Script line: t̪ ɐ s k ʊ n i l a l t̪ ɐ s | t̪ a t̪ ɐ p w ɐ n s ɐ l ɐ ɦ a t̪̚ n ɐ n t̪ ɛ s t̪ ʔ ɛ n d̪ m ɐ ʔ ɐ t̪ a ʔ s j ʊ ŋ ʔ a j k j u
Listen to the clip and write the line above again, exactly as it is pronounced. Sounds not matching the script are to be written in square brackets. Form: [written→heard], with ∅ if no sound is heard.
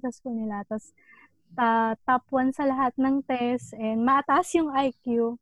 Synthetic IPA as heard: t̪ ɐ s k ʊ n [i→ɪ] l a [l→∅] t̪ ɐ s | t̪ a t̪ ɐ p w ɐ n s ɐ l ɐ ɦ a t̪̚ n ɐ [n→ŋ] t̪ ɛ s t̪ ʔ ɛ n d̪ m ɐ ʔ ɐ t̪ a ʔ s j ʊ ŋ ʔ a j k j u